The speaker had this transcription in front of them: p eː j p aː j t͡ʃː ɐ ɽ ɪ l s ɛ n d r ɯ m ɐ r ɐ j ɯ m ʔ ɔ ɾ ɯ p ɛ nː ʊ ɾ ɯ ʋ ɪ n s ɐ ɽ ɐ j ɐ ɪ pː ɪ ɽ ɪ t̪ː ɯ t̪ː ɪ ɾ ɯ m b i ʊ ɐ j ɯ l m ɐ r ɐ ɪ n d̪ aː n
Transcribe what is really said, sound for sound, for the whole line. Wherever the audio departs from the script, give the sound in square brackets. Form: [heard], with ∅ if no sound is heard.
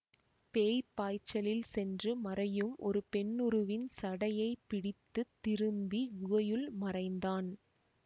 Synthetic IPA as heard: p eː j p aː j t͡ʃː ɐ [l] ɪ l s ɛ n d r ɯ m ɐ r ɐ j ɯ m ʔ ɔ ɾ ɯ p ɛ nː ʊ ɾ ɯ ʋ ɪ n s ɐ ɽ ɐ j ɐ ɪ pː ɪ ɽ ɪ t̪ː ɯ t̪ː ɪ ɾ ɯ m b i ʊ ɐ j ɯ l m ɐ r ɐ ɪ n d̪ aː n